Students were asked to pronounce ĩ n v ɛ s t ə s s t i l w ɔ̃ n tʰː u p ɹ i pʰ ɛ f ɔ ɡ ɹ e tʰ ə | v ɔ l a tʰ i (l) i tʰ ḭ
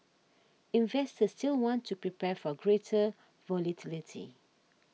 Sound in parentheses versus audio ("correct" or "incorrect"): correct